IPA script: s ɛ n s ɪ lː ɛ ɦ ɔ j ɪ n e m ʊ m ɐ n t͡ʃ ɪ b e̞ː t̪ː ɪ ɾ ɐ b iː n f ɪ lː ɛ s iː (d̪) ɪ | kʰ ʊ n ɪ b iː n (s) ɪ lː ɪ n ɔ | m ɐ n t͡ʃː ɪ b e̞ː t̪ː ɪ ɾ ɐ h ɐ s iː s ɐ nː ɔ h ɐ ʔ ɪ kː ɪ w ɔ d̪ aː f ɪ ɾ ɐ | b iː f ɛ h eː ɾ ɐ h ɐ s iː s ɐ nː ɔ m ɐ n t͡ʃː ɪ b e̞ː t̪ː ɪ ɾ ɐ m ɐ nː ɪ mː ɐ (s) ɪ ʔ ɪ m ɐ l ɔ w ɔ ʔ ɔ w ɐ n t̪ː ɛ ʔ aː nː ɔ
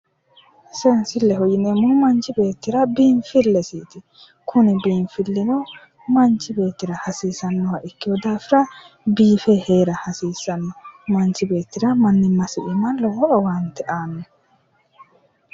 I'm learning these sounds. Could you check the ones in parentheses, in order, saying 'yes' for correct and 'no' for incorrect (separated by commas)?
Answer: no, no, yes